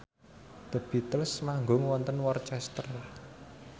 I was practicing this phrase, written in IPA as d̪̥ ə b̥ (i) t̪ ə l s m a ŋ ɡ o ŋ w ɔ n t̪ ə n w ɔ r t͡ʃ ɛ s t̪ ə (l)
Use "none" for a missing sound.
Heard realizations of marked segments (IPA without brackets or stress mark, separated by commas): i, r